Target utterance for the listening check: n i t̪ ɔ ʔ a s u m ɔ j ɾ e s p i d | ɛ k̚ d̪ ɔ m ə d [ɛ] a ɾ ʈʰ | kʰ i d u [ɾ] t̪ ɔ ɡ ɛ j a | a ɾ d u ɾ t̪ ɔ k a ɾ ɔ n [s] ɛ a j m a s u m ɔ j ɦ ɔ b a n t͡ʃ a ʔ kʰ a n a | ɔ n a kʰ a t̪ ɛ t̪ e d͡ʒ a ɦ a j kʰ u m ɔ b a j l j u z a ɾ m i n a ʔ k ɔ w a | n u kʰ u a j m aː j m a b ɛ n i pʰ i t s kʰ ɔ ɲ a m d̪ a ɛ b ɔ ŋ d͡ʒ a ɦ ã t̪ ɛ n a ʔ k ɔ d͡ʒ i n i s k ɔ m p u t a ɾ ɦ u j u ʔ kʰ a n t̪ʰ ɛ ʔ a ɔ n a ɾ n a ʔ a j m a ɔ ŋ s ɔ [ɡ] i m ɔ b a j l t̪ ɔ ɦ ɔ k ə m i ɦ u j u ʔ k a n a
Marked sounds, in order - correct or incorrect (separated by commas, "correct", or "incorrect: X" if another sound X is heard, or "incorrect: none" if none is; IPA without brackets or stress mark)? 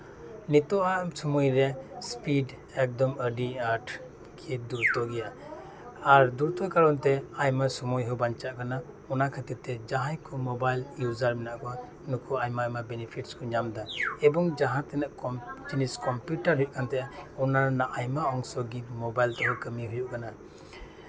incorrect: i, correct, incorrect: t, correct